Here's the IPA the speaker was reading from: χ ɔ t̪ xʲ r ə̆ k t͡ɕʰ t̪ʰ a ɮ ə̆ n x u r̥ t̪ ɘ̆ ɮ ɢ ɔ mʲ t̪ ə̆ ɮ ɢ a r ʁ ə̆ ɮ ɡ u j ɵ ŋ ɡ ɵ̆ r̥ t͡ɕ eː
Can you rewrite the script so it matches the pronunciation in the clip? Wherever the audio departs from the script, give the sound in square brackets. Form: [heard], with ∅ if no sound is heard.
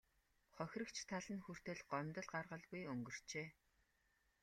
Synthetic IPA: χ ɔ [∅] xʲ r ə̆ k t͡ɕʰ t̪ʰ a ɮ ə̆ n x u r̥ t̪ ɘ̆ ɮ ɢ ɔ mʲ t̪ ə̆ ɮ ɢ a r ʁ ə̆ ɮ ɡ u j ɵ ŋ ɡ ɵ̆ r̥ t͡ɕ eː